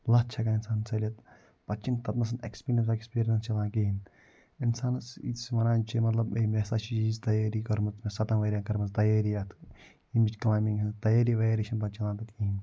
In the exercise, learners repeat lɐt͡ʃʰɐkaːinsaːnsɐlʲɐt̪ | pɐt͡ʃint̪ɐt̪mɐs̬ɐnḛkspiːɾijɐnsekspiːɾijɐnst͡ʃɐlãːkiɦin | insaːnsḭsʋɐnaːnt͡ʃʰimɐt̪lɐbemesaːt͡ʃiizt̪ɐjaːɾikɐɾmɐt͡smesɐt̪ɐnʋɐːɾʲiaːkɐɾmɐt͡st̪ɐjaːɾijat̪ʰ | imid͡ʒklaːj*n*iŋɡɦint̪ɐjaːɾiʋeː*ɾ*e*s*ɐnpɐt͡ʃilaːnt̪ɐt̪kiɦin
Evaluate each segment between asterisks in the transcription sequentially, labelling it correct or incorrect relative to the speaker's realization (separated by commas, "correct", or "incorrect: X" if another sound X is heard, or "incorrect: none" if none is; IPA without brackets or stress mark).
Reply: incorrect: m, correct, incorrect: ʃ